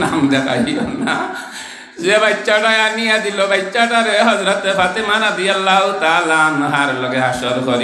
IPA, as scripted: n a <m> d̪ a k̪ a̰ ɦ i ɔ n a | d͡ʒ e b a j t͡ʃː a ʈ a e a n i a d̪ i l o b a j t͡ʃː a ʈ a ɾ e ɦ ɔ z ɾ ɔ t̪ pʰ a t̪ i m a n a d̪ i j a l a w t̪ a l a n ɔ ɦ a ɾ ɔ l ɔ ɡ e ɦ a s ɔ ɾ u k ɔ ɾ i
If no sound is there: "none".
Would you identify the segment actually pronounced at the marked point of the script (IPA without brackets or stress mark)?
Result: m